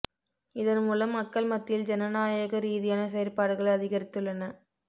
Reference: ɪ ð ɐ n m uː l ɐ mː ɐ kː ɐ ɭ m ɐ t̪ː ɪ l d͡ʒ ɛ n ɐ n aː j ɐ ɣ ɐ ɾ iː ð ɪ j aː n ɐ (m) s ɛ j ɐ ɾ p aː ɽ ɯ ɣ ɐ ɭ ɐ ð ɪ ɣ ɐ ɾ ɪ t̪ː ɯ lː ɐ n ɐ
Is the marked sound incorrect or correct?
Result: incorrect: none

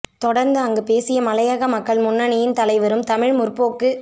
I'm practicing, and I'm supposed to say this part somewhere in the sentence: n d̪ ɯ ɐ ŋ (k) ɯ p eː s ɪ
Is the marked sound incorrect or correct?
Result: incorrect: ɡ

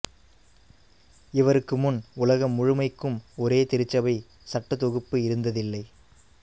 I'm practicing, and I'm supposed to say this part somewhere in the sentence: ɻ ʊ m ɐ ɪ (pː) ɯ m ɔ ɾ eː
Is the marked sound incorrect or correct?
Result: incorrect: kː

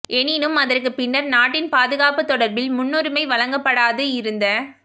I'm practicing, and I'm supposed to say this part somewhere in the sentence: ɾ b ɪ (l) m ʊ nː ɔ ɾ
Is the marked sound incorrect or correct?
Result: correct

